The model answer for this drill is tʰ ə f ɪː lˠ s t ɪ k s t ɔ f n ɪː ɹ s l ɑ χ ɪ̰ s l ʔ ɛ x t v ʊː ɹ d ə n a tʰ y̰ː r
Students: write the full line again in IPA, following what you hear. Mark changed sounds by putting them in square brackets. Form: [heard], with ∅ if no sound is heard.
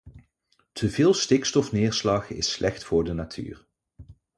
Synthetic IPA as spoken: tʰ ə [v] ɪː lˠ s t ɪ k s t ɔ f n ɪː ɹ s l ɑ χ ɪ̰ s l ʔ ɛ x t [f] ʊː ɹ d ə n a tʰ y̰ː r